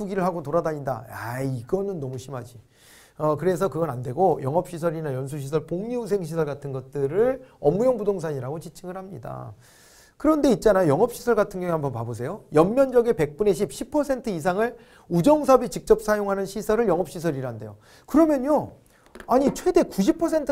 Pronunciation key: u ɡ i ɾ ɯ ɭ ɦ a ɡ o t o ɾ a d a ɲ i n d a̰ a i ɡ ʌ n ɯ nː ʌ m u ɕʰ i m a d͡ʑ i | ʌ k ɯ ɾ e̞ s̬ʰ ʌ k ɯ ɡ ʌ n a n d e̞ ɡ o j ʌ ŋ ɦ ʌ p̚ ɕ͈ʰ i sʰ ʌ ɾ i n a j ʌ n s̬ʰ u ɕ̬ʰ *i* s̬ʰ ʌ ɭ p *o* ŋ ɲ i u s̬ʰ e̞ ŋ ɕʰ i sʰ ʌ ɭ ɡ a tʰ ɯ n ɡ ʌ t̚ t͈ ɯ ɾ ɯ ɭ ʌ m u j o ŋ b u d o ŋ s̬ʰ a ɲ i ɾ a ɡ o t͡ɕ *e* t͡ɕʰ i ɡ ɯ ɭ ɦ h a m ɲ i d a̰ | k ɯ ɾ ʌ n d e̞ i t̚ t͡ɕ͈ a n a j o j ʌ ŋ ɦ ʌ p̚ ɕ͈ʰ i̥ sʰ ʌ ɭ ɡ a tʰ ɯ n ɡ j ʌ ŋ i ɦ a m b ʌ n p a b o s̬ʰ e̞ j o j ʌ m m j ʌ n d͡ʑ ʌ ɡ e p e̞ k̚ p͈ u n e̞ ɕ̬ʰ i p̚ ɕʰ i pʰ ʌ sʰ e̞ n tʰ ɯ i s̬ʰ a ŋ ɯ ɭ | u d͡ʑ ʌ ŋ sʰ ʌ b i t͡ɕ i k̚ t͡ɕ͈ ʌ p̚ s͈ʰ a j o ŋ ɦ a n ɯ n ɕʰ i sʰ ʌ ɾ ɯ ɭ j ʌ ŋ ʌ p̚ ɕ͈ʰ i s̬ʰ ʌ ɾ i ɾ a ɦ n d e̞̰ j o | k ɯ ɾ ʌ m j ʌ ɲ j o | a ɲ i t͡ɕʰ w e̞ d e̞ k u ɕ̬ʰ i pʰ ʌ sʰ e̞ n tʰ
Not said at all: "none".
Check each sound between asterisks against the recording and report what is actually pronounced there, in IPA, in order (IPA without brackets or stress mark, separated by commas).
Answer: i, o, i